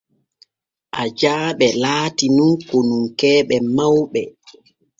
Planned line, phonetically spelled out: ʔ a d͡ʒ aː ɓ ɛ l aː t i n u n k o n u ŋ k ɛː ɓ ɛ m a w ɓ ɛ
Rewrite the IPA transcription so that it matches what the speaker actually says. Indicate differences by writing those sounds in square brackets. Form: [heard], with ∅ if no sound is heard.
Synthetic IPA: ʔ a d͡ʒ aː ɓ ɛ l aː t i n u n k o n u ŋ k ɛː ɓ ɛ m a w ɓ ɛ